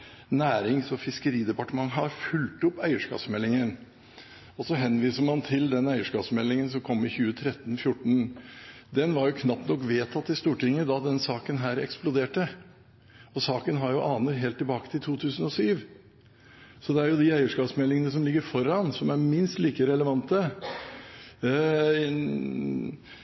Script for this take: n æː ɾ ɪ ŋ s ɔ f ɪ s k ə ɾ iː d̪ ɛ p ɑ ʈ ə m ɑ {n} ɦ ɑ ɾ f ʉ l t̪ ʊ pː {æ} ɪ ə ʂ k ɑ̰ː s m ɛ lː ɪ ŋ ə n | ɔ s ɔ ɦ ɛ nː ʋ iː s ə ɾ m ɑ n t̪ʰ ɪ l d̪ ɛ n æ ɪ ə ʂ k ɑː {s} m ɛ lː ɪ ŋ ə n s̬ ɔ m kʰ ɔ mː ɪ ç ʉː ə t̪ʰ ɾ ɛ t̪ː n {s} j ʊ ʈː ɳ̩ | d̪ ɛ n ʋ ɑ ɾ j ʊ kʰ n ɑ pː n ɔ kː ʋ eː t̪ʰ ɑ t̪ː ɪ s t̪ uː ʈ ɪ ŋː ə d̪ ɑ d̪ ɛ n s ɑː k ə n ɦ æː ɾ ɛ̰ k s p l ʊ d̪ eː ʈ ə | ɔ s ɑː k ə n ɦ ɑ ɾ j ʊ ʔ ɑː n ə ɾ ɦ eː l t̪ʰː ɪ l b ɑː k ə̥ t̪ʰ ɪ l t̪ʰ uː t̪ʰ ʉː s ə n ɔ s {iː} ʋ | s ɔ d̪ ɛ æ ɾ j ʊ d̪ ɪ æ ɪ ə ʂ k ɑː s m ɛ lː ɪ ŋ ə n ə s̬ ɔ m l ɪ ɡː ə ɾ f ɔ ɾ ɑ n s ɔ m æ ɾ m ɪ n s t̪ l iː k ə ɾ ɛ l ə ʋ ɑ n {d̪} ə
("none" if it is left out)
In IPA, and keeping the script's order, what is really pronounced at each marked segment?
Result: ŋ, æ, s, f, yː, t̪

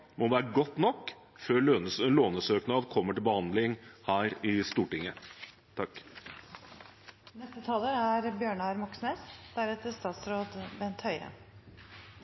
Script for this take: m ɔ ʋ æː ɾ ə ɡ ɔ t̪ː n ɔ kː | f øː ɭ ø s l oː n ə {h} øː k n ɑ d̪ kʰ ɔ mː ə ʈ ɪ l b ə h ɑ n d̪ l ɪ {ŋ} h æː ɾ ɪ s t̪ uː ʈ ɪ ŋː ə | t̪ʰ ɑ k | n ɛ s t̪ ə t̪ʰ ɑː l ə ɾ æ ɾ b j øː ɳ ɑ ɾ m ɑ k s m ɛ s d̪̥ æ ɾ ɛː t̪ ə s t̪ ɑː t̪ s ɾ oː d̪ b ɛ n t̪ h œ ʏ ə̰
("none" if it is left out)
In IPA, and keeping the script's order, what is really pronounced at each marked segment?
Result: s, ŋ

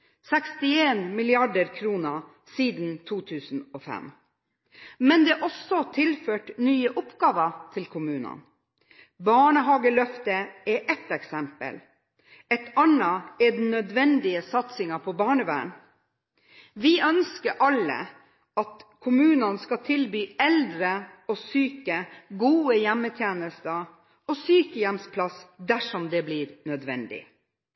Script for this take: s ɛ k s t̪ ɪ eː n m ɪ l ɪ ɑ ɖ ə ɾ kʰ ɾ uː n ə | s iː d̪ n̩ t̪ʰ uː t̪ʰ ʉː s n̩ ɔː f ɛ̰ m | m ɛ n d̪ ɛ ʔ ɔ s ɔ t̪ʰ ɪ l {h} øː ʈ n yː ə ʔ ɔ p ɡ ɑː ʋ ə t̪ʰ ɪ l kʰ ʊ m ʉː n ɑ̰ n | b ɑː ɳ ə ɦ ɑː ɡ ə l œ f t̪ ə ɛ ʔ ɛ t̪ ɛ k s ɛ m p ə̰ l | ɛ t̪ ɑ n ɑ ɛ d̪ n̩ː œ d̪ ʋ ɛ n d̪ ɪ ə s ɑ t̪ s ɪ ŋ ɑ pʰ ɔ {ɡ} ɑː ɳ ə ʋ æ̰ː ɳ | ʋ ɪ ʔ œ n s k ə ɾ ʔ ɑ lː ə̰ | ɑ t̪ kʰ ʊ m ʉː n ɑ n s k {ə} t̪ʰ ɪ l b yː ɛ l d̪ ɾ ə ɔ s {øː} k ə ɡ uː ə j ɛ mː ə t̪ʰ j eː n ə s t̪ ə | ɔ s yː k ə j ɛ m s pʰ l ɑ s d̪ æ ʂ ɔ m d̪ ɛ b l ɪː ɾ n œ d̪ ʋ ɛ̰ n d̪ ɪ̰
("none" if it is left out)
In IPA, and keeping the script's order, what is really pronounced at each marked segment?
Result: f, b, ɑ, yː

